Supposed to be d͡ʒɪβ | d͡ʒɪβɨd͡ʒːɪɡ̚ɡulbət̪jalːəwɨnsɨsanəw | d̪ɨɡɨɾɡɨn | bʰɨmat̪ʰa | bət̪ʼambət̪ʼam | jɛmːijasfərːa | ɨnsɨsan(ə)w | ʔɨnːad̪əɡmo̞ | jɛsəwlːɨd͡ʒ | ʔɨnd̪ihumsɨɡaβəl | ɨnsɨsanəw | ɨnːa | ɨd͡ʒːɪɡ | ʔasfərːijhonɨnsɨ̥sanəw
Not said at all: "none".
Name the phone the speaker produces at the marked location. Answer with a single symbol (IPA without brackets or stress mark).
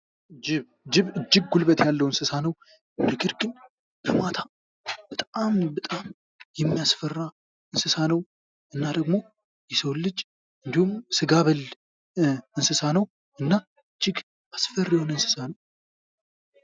ə